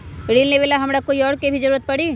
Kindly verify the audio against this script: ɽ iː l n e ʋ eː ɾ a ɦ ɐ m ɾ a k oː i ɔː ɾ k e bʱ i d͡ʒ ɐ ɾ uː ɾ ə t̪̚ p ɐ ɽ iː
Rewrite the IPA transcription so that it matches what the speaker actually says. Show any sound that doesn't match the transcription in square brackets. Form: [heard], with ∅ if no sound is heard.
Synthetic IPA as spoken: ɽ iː l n e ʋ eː [l] a ɦ ɐ m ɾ a k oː i ɔː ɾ k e bʱ i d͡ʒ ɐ ɾ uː ɾ ə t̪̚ p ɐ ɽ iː